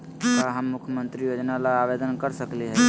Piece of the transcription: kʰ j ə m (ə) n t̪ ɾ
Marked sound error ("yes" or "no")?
no